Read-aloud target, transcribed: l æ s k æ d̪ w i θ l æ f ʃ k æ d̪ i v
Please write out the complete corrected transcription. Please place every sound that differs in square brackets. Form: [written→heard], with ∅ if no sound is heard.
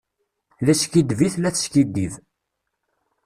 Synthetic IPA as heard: l æ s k [æ→i] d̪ [w→v] i θ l æ [f→θ] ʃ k [æ→i] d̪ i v